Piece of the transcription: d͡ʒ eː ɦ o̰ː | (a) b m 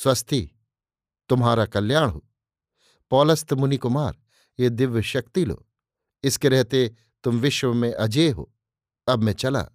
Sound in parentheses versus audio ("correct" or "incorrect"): incorrect